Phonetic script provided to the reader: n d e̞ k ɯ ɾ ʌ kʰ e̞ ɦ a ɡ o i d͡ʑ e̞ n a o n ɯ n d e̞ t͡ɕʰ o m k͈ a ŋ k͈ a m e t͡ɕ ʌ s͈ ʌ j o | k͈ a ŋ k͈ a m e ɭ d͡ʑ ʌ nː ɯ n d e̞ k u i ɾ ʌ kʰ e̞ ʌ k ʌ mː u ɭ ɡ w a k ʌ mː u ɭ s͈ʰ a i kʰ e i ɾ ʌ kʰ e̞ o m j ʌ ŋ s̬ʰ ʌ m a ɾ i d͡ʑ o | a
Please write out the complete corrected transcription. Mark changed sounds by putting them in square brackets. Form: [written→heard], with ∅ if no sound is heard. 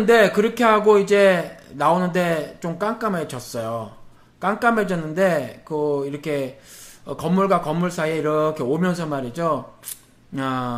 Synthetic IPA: n d e̞ k ɯ ɾ ʌ kʰ e̞ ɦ a ɡ o i d͡ʑ e̞ n a o n ɯ n d e̞ [t͡ɕʰ→t͡ɕ] o m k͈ a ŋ k͈ a m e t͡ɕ ʌ s͈ ʌ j o | k͈ a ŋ k͈ a m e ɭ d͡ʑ ʌ nː ɯ n d e̞ k [u→ɯ] i ɾ ʌ kʰ e̞ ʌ k ʌ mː u ɭ ɡ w a k ʌ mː u ɭ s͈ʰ a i [kʰ→∅] e i ɾ ʌ kʰ e̞ o m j ʌ [ŋ→n] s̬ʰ ʌ m a ɾ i d͡ʑ o | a